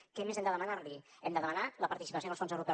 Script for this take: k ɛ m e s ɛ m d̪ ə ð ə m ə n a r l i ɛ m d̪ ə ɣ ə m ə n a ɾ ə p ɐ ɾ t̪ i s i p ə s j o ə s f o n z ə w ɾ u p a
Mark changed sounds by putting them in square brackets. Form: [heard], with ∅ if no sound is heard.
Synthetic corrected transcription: k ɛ m e [z] ɛ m d̪ ə ð ə m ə n a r l i ɛ m d̪ ə [ð] ə m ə n a [l] ə p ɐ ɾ t̪ i s i p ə s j o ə s f o n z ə w ɾ u p [ɛ]